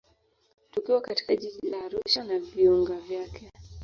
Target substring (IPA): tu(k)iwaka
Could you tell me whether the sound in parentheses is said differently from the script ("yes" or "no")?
no